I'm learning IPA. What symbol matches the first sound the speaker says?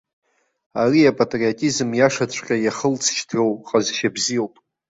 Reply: a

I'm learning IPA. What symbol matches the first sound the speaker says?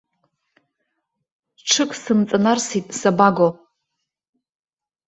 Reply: ʈ͡ʂʰ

